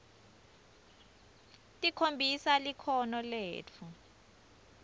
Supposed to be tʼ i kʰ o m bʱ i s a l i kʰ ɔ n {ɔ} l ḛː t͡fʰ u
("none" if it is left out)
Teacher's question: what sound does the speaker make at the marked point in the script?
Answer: ɔ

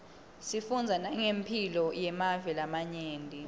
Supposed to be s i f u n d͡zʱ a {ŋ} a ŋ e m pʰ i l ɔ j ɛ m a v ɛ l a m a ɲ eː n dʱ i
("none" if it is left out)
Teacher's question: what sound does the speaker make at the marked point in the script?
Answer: n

